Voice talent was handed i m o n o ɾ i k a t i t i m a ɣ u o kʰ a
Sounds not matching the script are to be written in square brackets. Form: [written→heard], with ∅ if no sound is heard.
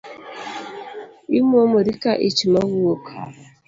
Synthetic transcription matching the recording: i m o [n→m] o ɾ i k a [t→ʔ] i [t→t͡ʃ] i m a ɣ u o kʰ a